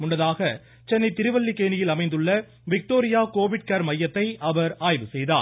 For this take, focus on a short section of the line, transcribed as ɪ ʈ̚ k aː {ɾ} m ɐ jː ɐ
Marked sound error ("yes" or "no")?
no